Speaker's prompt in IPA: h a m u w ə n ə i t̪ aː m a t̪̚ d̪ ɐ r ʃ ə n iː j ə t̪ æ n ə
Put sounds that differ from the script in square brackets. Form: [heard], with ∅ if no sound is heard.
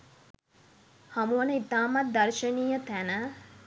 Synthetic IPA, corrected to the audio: h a m u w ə n ə i t̪ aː m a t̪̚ d̪ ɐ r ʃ ə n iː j ə t̪ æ n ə